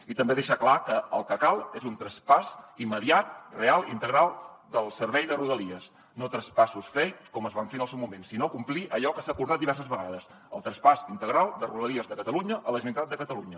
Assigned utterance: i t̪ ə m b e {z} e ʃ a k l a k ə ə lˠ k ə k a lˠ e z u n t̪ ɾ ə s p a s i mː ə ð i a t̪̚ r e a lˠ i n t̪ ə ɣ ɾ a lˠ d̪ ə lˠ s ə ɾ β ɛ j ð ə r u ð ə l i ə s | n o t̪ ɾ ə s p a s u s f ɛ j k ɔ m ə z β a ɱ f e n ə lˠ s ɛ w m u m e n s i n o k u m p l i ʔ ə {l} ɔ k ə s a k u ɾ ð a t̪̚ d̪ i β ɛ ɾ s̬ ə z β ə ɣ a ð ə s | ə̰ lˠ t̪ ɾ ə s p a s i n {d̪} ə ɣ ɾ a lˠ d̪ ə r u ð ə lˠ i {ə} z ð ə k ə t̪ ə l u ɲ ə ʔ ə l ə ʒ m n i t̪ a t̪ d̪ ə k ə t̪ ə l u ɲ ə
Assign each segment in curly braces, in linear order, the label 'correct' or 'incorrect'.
incorrect: ð, incorrect: ʎ, incorrect: t̪, correct

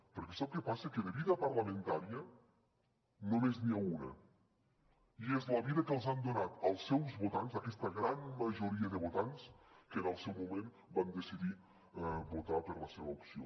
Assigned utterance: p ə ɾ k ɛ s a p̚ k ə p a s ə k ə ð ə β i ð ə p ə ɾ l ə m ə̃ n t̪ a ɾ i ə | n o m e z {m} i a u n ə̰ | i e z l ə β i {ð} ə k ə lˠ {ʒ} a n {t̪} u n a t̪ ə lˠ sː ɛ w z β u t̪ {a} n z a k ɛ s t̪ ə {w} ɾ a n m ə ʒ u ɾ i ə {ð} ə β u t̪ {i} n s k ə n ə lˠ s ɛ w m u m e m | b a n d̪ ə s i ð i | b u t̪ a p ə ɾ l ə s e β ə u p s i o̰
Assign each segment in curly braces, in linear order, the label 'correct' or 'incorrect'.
incorrect: n, correct, incorrect: z, incorrect: d̪, correct, incorrect: ɣ, correct, incorrect: a

